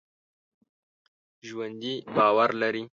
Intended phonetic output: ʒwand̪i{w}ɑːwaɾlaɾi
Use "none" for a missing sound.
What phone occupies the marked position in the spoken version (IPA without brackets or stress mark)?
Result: b